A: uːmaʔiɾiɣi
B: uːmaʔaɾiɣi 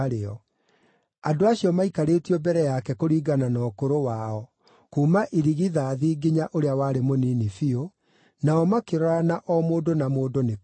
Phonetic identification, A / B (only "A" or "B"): A